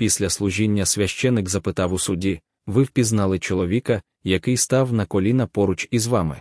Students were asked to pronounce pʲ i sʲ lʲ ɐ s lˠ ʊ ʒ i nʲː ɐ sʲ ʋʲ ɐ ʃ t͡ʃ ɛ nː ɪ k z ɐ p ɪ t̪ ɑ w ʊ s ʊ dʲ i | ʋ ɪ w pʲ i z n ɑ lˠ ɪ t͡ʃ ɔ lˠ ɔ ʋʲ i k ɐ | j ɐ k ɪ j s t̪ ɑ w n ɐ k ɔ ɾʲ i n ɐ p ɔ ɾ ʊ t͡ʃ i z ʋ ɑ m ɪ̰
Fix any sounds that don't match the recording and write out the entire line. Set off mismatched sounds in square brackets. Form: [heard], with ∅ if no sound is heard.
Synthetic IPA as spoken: pʲ i sʲ lʲ ɐ s lˠ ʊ ʒ i nʲː ɐ sʲ ʋʲ ɐ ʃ t͡ʃ ɛ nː ɪ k z ɐ p ɪ t̪ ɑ w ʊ s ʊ dʲ i | ʋ ɪ w pʲ i z n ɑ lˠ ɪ t͡ʃ ɔ lˠ ɔ ʋʲ i k ɐ | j ɐ k ɪ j s t̪ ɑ w n ɐ k ɔ [lʲ] i n ɐ p ɔ ɾ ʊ t͡ʃ i z ʋ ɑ m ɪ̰